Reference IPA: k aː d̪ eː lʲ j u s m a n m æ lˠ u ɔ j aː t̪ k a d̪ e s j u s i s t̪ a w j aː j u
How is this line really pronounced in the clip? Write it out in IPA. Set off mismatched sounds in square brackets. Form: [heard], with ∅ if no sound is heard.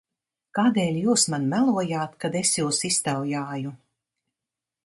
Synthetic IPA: k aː d̪ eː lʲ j [uː] s m a n m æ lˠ u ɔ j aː t̪ k a d̪ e s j [uː] s i s t̪ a w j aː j u